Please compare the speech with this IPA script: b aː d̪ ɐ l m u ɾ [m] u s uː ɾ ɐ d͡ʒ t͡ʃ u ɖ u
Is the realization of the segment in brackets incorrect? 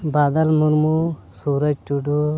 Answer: no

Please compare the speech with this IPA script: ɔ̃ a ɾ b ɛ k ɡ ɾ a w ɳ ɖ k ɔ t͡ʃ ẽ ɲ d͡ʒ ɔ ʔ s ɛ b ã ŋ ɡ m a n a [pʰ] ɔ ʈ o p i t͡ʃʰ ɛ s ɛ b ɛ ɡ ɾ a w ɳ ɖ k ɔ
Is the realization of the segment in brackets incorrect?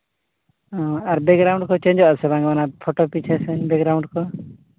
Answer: no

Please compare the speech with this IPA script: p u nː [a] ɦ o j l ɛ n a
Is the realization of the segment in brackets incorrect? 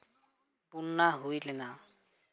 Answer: no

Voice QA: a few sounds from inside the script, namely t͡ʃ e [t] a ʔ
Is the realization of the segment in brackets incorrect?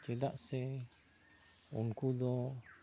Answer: yes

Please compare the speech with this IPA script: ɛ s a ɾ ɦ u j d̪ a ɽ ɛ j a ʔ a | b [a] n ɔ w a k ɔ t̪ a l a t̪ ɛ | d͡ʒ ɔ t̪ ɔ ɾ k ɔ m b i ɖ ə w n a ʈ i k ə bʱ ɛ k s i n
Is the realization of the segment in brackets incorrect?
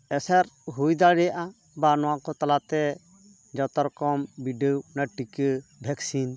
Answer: no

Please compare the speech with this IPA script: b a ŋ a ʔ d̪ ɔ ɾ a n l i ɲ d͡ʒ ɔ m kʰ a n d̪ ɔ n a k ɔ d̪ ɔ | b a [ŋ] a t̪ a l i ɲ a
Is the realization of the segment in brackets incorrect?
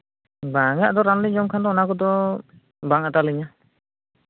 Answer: no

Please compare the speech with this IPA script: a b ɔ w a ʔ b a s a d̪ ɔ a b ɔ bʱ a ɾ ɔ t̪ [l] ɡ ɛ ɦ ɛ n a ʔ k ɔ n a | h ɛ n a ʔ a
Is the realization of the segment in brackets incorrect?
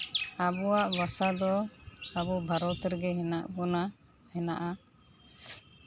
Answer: yes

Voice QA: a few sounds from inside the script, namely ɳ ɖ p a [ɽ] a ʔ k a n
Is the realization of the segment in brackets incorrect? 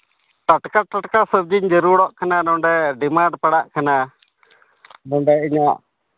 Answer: no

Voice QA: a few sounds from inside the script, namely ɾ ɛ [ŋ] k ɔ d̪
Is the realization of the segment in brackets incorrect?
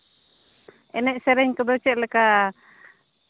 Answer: yes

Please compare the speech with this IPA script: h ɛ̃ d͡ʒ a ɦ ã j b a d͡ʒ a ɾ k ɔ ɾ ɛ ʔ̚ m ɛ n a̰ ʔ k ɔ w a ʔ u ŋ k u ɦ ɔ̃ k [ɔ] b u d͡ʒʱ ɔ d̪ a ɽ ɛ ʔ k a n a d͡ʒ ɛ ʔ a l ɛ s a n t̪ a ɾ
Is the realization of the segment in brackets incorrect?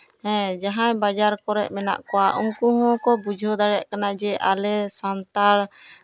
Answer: no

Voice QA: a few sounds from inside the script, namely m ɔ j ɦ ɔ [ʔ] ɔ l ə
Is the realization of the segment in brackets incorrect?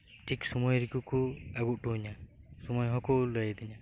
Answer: yes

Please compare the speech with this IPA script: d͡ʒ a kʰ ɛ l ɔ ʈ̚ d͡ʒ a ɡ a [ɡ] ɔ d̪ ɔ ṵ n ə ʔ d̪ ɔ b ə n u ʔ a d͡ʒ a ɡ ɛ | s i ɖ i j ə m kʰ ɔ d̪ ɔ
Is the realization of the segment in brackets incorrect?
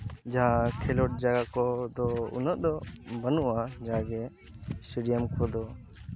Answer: yes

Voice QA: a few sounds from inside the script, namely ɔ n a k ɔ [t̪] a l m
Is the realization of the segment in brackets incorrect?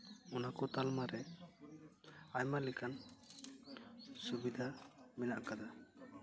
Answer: no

